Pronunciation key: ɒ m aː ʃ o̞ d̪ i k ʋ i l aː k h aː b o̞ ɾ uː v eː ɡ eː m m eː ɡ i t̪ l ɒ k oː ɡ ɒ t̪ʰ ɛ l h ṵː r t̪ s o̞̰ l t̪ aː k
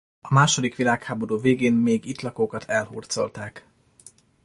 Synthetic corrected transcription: ɒ m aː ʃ o̞ d̪ i k ʋ i l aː k h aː b o̞ ɾ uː v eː ɡ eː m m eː ɡ i t̪ l ɒ k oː k ɒ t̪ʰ ɛ l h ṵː r t̪ s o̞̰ l t̪ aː k